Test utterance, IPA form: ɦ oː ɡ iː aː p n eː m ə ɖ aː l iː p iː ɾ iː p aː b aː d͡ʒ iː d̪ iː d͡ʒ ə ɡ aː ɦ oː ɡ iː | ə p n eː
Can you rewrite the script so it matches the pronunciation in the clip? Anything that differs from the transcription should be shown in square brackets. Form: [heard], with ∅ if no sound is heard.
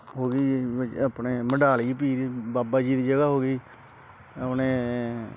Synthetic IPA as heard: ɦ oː ɡ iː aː p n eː m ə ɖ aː l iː p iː ɾ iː [b] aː b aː d͡ʒ iː d̪ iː d͡ʒ ə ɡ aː ɦ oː ɡ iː | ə p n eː